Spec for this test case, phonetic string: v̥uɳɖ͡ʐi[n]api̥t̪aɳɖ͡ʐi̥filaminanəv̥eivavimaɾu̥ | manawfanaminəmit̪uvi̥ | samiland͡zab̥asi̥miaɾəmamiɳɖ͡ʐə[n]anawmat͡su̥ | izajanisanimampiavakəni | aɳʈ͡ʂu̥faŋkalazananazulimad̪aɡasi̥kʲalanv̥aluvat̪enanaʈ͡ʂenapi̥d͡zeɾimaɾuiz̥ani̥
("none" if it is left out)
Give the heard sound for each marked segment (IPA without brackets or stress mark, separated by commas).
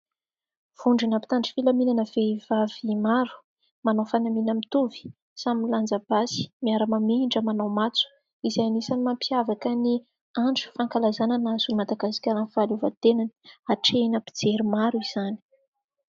n, m